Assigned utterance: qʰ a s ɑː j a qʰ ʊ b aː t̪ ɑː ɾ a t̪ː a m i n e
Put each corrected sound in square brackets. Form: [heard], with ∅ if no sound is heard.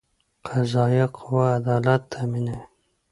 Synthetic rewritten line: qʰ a [z] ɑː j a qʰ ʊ [w] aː [d̪] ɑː [l] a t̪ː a m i n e